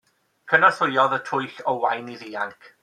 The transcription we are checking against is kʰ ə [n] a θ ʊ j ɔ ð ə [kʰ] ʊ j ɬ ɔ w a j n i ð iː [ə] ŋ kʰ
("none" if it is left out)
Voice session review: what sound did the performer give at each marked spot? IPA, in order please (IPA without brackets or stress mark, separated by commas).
n, tʰ, a